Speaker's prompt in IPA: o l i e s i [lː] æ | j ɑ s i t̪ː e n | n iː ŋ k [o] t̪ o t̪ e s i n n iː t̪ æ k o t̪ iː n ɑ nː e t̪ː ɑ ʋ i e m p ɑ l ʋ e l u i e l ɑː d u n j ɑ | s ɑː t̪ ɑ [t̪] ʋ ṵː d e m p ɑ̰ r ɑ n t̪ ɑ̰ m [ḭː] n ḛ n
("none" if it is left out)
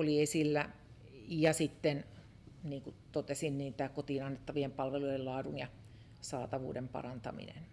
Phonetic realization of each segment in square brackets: lː, u, none, ḭ

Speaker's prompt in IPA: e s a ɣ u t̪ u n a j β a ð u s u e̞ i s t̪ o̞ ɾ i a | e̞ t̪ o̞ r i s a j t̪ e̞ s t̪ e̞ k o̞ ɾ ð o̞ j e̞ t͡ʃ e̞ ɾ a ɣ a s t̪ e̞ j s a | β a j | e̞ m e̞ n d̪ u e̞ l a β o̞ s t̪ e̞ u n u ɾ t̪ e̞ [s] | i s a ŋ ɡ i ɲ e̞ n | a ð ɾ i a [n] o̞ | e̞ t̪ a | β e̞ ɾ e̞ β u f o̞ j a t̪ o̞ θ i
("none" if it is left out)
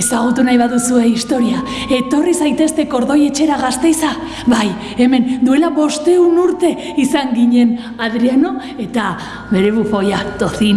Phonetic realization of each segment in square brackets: none, n

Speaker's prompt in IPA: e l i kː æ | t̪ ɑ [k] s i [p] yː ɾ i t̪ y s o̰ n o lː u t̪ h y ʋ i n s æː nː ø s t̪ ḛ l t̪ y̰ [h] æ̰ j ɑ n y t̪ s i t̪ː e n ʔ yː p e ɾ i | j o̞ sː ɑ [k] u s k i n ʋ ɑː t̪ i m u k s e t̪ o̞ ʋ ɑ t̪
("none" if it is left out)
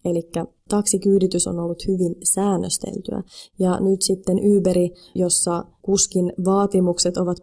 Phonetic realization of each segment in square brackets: k, k, none, k

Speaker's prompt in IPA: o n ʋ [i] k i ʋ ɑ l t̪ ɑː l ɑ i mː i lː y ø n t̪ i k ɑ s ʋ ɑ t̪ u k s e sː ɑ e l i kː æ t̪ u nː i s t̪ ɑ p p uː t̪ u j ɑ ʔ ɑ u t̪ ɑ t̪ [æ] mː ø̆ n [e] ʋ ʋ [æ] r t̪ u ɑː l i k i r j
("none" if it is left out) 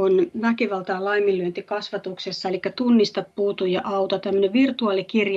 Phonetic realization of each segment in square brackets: æ, æ, e, i

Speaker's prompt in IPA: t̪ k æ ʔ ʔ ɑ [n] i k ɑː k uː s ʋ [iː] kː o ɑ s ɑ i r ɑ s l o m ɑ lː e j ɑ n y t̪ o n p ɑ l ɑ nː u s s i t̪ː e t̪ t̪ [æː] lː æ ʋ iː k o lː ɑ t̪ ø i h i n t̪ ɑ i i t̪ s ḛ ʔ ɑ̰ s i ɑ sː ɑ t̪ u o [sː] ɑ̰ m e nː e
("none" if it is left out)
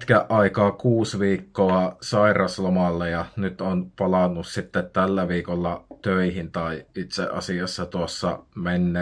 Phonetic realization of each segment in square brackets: none, iː, æ, sː

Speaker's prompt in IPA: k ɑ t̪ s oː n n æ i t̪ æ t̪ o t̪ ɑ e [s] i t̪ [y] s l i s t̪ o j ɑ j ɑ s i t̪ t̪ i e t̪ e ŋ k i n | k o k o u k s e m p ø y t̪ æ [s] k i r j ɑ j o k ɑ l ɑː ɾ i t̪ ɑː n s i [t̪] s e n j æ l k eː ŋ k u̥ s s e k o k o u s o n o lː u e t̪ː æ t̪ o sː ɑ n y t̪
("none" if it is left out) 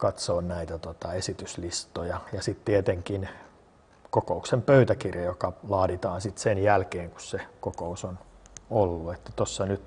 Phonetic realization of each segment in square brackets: s, y, none, t̪

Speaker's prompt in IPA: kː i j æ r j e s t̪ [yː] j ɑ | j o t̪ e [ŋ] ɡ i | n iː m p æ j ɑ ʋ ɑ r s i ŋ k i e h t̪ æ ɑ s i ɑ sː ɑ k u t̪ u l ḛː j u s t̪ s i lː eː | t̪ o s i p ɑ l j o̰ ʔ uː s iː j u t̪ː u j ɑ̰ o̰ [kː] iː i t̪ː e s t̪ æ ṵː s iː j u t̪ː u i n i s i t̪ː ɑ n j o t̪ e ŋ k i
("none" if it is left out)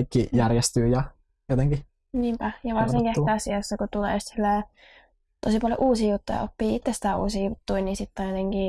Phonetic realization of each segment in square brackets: yː, ŋ, pː

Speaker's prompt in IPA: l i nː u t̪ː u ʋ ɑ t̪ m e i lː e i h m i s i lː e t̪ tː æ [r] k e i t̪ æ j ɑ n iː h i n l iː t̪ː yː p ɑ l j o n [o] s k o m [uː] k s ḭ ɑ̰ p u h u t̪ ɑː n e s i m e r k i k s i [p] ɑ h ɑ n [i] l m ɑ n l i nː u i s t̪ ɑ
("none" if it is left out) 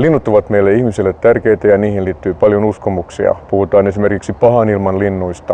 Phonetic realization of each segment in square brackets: r, u, u, p, i

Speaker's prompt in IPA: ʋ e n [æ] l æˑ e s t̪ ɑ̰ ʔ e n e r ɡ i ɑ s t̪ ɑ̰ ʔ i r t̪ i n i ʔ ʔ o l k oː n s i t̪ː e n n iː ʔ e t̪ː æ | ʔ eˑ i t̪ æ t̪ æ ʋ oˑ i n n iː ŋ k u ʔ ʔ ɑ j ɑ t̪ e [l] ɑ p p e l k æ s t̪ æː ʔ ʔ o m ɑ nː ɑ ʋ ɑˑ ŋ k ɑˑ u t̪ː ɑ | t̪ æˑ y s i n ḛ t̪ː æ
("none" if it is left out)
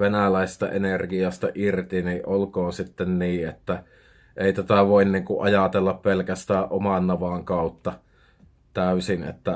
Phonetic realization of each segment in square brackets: æ, lː

